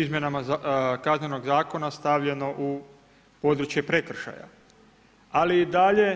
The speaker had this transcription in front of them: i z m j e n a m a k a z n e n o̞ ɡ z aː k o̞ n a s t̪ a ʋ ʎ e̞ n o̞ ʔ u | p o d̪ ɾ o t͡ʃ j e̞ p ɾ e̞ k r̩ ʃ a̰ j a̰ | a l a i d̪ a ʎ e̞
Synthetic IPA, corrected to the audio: i z m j e n a m a k a z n e n o̞ ɡ z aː k o̞ n a s t̪ a ʋ ʎ e̞ n o̞ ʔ u | p o d̪ ɾ u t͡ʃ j e̞ p ɾ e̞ k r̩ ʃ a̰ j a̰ | a l i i d̪ a ʎ e̞